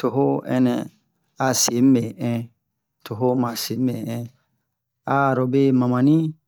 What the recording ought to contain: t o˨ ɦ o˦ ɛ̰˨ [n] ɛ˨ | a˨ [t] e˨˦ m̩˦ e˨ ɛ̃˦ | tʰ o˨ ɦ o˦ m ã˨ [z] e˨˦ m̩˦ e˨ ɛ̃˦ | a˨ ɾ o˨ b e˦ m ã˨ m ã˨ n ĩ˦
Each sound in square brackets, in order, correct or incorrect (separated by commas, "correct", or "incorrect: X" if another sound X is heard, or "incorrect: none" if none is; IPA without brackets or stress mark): correct, incorrect: s, incorrect: s